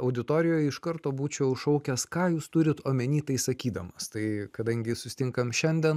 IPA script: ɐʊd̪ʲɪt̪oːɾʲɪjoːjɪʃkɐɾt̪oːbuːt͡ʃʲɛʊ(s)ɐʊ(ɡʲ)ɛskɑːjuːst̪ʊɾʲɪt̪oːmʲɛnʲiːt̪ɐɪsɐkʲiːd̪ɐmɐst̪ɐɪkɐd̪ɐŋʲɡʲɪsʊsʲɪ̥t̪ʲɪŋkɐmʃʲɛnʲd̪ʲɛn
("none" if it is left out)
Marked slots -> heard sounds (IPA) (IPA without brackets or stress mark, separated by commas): ʃ, kʲ